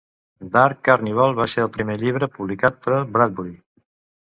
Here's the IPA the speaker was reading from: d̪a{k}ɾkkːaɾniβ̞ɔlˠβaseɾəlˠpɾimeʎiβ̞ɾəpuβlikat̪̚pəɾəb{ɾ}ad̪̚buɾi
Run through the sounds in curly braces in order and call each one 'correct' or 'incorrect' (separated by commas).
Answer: incorrect, correct